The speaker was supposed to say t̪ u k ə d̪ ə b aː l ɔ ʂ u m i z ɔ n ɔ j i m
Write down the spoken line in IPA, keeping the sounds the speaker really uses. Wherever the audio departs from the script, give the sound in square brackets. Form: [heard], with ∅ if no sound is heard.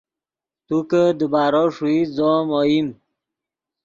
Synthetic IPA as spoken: t̪ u k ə d̪ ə b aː [ɾ] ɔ ʂ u [∅] i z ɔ [m] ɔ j i m